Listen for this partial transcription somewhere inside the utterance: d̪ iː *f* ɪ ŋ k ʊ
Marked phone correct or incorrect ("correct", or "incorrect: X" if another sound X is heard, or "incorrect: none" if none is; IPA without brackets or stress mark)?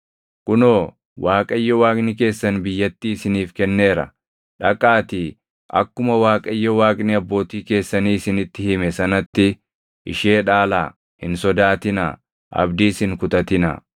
incorrect: s